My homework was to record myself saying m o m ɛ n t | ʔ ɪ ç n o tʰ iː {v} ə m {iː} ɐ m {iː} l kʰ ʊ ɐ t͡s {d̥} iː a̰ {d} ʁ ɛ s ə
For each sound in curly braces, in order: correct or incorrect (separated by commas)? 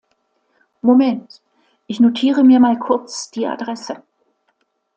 incorrect, correct, incorrect, correct, correct